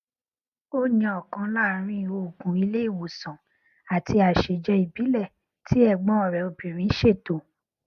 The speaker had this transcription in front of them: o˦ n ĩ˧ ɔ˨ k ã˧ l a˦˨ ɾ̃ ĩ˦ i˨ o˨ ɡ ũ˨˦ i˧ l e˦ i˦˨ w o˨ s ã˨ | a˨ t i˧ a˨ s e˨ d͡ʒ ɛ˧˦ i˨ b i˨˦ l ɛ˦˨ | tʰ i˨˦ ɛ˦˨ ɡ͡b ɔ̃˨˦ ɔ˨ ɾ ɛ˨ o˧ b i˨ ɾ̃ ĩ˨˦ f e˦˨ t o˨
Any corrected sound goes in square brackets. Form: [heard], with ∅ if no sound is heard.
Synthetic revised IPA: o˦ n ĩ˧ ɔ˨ k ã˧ l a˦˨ ɾ̃ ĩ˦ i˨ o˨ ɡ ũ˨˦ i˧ l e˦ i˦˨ w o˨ s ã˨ | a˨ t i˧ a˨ [ʃ] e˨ d͡ʒ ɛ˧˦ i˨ b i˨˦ l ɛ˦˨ | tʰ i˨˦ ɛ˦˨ ɡ͡b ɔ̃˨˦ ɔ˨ ɾ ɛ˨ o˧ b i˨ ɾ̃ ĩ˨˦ [ʃ] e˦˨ t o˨